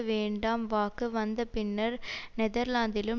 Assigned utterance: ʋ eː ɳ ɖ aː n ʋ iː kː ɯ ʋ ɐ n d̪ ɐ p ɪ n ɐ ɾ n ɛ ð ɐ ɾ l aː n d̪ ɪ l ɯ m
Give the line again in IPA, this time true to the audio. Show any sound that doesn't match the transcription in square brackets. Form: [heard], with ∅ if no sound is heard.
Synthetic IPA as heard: ʋ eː ɳ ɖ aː [m] ʋ [aː] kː ɯ ʋ ɐ n d̪ ɐ p ɪ [nː] ɐ ɾ n ɛ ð ɐ ɾ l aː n d̪ ɪ l ɯ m